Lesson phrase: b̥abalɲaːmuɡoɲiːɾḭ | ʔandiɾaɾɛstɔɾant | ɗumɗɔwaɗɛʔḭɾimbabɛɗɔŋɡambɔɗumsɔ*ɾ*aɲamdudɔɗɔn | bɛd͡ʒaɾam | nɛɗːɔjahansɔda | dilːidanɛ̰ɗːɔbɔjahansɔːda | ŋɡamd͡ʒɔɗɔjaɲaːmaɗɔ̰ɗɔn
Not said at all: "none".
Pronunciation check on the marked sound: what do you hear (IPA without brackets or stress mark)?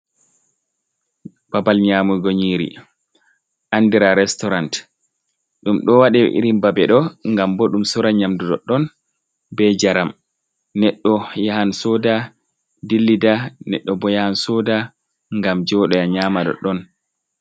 ɾ